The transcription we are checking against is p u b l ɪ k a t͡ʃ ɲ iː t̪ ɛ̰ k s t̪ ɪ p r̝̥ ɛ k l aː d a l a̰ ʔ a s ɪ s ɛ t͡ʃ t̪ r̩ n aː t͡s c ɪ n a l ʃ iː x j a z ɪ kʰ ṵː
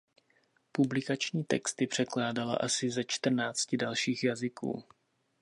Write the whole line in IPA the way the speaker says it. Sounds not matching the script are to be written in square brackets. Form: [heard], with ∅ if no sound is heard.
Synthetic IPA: p u b l ɪ k a t͡ʃ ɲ iː t̪ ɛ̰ k s t̪ ɪ p r̝̥ ɛ k l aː d a l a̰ ʔ a s ɪ [z] ɛ t͡ʃ t̪ r̩ n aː t͡s c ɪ [d] a l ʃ iː x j a z ɪ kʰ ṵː